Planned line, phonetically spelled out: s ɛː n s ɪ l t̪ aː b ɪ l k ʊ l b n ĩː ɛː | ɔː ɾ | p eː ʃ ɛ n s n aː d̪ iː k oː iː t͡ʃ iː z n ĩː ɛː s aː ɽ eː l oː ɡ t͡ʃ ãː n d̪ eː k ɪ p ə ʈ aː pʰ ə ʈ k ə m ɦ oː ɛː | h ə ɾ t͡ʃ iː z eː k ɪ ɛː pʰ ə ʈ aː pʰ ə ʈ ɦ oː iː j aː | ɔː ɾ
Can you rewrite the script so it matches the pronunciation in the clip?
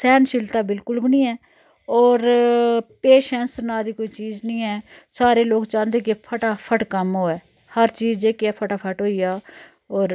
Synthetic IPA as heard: s ɛː n ʃ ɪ l t̪ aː b ɪ l k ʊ l b n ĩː ɛː | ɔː ɾ | p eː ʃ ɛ n s n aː d̪ iː k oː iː t͡ʃ iː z n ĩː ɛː s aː ɾ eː l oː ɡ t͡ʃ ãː n d̪ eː k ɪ pʰ ə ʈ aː pʰ ə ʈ k ə m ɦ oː ɛː | h ə ɾ t͡ʃ iː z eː k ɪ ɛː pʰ ə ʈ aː pʰ ə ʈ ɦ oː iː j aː | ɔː ɾ